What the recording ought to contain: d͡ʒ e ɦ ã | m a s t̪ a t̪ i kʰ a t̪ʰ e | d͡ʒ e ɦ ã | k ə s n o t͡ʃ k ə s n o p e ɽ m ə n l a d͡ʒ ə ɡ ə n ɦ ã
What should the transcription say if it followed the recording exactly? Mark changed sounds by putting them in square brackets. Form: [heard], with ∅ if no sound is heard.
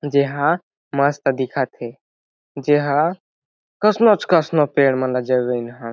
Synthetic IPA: d͡ʒ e ɦ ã | m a s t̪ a [d̪] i kʰ a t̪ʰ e | d͡ʒ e ɦ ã | k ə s n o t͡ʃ k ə s n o p e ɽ m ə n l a d͡ʒ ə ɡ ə n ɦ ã